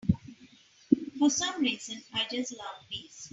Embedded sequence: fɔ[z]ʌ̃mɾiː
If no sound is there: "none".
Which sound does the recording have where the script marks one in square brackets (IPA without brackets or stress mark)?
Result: s